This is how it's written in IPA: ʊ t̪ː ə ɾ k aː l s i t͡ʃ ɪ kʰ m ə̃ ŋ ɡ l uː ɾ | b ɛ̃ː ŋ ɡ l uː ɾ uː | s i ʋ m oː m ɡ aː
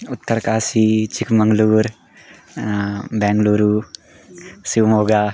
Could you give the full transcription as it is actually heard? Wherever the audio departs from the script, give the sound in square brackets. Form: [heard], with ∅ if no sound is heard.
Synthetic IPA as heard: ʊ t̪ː ə ɾ k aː [∅] s i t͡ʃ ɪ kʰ m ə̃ ŋ ɡ l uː ɾ | b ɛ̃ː ŋ ɡ l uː ɾ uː | s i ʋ m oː [∅] ɡ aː